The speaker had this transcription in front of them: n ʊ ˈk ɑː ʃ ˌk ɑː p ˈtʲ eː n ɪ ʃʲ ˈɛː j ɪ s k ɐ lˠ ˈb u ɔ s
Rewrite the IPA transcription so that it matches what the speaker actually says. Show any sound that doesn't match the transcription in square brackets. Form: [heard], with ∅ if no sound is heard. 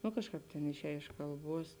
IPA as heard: n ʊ ˈk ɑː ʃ ˌk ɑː p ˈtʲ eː n ɪ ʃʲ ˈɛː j ɪ [ʃ] k ɐ lˠ ˈb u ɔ s